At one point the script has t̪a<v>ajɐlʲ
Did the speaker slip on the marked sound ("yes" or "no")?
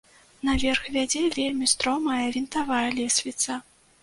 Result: no